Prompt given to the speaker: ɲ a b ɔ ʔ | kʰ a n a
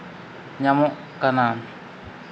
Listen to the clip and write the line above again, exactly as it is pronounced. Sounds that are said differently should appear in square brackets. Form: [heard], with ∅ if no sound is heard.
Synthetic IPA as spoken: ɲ a [m] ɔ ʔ | [k] a n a